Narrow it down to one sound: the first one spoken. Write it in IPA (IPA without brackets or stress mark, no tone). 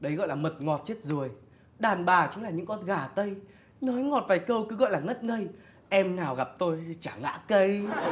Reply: ɗ